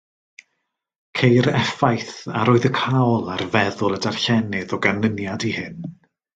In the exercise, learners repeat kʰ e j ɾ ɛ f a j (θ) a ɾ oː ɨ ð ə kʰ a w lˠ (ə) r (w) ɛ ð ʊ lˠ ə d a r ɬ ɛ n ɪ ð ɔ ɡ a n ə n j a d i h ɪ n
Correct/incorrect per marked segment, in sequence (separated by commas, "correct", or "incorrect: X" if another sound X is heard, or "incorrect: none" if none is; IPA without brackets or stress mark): correct, incorrect: a, incorrect: v